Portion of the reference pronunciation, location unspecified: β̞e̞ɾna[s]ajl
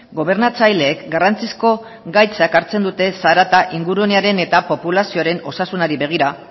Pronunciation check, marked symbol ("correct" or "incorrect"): incorrect